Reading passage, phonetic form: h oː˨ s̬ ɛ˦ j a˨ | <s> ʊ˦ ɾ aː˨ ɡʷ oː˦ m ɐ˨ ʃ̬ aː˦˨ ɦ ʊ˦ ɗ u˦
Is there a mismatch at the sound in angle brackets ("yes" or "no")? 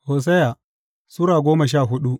no